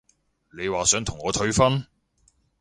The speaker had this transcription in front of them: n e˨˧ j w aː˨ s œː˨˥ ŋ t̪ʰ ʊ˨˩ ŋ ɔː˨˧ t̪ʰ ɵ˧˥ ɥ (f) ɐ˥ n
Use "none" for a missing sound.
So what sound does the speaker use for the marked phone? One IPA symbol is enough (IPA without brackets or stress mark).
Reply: f